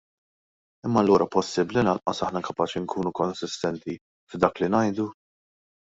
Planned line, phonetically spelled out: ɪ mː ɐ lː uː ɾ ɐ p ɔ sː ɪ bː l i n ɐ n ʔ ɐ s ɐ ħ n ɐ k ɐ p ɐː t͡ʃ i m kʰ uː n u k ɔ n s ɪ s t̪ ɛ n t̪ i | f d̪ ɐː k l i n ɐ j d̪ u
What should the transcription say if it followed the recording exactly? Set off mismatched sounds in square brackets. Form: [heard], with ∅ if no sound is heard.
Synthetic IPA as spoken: ɪ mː ɐ lː uː ɾ ɐ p ɔ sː ɪ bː l i n ɐ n ʔ ɐ s ɐ ħ n ɐ k ɐ p ɐː t͡ʃ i [ŋ] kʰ uː n u k ɔ n s ɪ s t̪ ɛ n t̪ i | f d̪ ɐː k l i n ɐ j d̪ u

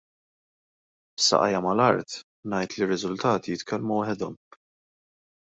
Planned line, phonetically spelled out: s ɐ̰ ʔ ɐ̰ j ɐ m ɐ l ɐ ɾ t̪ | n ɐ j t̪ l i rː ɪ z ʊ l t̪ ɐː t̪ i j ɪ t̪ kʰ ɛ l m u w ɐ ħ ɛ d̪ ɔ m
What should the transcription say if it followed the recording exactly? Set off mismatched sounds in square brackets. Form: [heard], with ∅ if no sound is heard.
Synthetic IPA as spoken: s ɐ̰ ʔ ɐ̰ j ɐ m ɐ l ɐ ɾ t̪ | n ɐ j t̪ l i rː ɪ z ʊ l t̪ ɐː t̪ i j ɪ t̪ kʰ ɛ l m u w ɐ ħ ɛ d̪ ɔ m

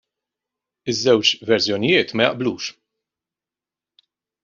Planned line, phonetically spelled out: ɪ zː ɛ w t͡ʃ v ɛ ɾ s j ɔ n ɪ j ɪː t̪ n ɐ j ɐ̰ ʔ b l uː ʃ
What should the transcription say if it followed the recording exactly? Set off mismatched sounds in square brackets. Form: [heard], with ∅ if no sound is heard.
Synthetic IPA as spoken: ɪ zː ɛ w t͡ʃ v ɛ ɾ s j ɔ n ɪ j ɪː t̪ [m] ɐ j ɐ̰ ʔ b l uː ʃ

